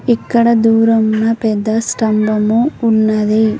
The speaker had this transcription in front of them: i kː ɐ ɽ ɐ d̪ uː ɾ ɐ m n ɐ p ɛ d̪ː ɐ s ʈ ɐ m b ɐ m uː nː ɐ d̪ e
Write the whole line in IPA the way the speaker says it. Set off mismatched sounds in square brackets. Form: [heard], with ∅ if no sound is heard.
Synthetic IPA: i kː ɐ ɽ ɐ d̪ uː ɾ ɐ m n ɐ p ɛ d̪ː ɐ s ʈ ɐ m b ɐ m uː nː ɐ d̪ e